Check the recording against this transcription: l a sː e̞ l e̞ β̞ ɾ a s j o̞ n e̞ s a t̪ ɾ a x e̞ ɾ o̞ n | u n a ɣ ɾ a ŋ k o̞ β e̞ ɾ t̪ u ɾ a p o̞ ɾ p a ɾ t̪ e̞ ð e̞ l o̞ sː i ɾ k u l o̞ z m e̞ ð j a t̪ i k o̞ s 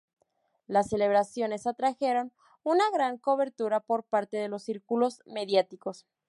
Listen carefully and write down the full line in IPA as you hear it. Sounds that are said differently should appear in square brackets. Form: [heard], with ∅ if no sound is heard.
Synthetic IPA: l a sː e̞ l e̞ β̞ ɾ a s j o̞ n e̞ s a t̪ ɾ a x e̞ ɾ o̞ n | u n a ɣ ɾ a ŋ k o̞ β e̞ ɾ t̪ u ɾ a p o̞ ɾ p a ɾ t̪ e̞ ð e̞ l o̞ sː i ɾ k u l o̞ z m e̞ ð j a t̪ i k o̞ s